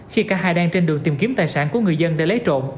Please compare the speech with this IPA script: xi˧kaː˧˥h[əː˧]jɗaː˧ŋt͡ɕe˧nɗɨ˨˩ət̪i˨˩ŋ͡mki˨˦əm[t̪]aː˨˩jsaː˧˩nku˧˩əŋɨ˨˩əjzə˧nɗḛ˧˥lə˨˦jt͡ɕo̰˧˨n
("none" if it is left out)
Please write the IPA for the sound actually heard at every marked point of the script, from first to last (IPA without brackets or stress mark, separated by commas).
aː˧, t̪